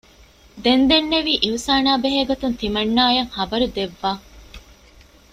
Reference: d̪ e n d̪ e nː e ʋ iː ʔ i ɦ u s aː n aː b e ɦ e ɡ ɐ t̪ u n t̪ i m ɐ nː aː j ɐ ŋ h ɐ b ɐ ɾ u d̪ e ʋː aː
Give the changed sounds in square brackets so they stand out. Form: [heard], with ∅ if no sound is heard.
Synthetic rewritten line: d̪ e n d̪ e nː e ʋ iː ʔ i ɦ u s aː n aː b e ɦ e ɡ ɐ t̪ u n t̪ i m ɐ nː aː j ɐ ŋ h ɐ b ɐ ɾ u d̪ e ʋː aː

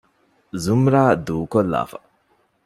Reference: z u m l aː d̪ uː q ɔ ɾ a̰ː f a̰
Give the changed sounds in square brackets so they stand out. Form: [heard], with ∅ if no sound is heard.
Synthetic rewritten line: z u m [ɾ] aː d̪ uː [k] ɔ [l] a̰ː f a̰

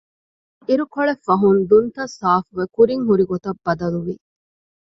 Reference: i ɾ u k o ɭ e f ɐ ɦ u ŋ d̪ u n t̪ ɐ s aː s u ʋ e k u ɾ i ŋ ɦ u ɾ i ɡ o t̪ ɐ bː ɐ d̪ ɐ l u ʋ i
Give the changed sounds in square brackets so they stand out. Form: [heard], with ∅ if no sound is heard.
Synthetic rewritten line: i ɾ u k o ɭ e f ɐ ɦ u [n] d̪ u n t̪ ɐ s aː [f] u ʋ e k u ɾ i ŋ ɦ u ɾ i ɡ o t̪ ɐ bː ɐ d̪ ɐ l u ʋ i

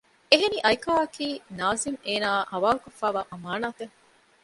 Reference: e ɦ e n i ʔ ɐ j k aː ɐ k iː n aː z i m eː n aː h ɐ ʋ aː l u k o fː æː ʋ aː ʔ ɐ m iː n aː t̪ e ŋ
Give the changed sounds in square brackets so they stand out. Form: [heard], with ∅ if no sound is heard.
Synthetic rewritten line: e ɦ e n i ʔ ɐ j k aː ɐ k iː n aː z i m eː n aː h ɐ ʋ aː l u k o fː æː ʋ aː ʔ ɐ m [aː] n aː t̪ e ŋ

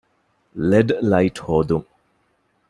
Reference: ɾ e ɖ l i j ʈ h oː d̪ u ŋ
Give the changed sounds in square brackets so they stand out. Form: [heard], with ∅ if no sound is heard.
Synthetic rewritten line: [l] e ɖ l [a] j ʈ h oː d̪ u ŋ

